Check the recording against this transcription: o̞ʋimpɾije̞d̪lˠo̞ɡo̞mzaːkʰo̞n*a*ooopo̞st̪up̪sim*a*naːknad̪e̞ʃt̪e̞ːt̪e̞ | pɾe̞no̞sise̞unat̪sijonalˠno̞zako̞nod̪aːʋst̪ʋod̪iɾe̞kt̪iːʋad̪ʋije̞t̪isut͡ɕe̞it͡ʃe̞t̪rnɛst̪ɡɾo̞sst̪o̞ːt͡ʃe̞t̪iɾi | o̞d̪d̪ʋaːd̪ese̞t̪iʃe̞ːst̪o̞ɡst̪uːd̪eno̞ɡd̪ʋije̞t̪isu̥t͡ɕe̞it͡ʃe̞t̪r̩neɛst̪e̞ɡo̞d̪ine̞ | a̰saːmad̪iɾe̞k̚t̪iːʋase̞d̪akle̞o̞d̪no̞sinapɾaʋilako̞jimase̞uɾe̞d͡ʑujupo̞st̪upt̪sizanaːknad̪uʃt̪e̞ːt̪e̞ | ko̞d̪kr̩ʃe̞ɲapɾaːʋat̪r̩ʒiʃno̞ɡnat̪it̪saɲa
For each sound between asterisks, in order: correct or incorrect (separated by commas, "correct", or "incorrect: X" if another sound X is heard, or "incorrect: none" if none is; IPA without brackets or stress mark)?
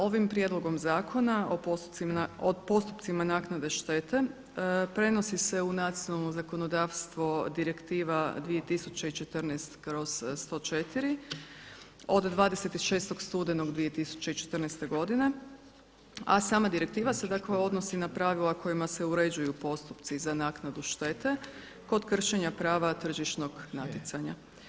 correct, correct